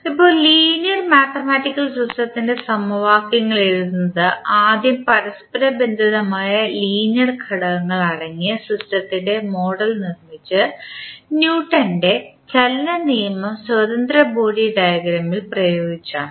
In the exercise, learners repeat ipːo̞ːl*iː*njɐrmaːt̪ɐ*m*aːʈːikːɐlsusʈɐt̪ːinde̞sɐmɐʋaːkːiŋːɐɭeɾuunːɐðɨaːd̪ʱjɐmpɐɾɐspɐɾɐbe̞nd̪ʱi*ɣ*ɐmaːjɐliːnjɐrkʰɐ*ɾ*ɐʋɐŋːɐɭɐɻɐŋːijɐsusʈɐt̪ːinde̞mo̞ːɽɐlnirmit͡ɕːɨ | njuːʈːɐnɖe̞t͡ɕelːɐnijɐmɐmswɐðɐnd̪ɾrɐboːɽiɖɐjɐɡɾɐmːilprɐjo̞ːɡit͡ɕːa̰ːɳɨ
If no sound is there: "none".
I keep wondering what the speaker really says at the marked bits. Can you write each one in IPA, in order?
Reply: iː, m, ð, ɽ

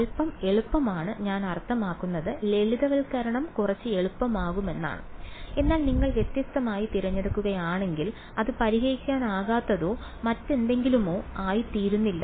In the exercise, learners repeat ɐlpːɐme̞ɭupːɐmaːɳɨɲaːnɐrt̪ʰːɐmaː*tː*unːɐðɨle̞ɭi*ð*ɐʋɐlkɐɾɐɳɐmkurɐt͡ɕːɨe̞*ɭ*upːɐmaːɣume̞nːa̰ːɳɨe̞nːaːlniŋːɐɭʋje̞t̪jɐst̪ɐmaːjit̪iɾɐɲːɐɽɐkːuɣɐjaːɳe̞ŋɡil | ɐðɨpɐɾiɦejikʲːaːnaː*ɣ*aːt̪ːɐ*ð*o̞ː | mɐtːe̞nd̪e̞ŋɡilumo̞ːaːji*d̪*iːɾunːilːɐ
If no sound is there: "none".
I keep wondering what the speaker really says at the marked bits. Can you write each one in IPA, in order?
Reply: kː, ð, ɭ, ɣ, ð, t̪

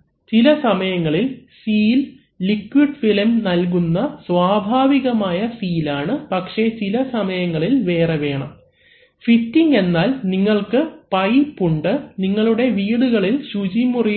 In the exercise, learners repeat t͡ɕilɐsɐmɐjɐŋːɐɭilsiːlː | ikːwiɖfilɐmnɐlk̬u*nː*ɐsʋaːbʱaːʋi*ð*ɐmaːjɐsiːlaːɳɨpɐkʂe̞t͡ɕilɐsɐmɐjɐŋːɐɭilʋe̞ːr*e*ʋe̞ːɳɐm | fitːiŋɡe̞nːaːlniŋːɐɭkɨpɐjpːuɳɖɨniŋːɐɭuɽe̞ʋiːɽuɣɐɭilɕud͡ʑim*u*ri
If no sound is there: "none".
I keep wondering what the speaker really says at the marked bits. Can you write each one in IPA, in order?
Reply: nː, ɣ, e, u

